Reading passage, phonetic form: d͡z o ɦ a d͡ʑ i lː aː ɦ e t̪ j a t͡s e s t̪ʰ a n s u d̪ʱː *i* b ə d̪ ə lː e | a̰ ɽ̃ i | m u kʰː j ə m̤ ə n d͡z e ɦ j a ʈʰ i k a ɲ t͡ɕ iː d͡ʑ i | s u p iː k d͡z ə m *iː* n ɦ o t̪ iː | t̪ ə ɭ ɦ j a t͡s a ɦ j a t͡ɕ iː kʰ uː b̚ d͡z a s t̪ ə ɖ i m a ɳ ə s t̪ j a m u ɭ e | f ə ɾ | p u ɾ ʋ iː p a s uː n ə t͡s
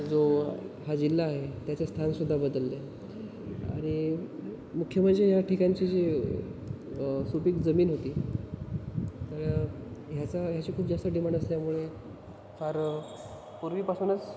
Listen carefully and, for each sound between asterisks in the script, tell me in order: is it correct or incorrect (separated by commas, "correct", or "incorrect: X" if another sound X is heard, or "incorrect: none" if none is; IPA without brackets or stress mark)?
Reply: incorrect: a, correct